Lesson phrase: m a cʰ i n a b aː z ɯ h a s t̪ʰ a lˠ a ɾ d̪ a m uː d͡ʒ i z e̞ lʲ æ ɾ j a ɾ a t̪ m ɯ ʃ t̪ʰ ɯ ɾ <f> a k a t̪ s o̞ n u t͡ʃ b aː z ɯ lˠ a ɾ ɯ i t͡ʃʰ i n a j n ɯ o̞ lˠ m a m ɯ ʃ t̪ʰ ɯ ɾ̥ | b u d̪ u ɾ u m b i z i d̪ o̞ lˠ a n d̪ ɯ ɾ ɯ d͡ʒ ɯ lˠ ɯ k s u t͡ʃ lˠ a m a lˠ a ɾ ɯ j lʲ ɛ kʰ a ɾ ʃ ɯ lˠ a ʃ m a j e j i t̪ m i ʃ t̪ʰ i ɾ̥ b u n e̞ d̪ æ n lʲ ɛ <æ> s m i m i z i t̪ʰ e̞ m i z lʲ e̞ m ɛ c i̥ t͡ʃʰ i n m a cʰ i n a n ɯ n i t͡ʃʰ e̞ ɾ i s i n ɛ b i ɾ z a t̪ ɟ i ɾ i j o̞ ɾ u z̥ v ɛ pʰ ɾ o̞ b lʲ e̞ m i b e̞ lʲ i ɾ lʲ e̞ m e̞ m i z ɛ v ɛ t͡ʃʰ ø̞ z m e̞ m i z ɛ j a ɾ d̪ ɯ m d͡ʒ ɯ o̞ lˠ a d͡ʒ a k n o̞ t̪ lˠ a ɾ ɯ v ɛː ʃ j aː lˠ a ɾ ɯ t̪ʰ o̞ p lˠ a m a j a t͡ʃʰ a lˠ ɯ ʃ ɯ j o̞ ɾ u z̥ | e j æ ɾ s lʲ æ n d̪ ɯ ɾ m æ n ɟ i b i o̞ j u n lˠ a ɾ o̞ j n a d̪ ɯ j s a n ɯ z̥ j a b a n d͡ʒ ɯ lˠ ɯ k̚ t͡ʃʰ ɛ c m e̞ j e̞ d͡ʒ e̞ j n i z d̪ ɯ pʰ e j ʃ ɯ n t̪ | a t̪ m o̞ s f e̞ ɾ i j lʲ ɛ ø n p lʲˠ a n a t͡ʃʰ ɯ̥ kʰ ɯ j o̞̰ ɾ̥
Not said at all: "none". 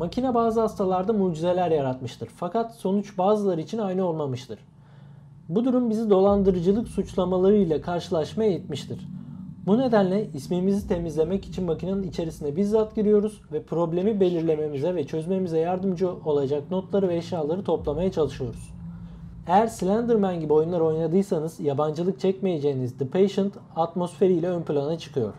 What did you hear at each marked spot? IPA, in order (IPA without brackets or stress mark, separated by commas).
f, i